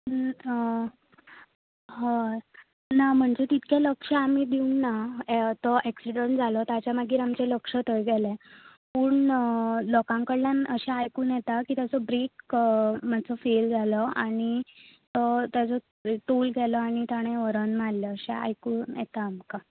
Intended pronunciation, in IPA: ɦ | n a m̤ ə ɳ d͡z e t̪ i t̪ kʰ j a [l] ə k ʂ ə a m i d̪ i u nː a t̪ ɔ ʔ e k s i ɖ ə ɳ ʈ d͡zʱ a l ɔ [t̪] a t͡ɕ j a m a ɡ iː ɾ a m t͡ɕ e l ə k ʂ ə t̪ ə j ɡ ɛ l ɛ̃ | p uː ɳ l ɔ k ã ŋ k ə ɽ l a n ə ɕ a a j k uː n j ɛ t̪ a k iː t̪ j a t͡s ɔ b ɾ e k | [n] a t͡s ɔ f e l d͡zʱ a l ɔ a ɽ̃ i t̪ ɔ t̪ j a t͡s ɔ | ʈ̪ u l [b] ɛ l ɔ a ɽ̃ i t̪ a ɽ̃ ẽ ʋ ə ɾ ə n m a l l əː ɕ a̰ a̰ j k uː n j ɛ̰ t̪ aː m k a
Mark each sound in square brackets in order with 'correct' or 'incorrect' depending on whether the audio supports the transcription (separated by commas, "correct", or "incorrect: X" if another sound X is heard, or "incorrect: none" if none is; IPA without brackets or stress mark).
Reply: correct, correct, incorrect: m, incorrect: ɡ